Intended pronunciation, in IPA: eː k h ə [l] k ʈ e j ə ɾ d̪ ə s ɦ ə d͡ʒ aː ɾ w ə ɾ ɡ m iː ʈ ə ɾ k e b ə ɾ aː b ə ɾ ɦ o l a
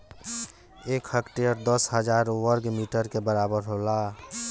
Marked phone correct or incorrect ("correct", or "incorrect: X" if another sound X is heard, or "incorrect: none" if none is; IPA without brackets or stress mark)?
incorrect: none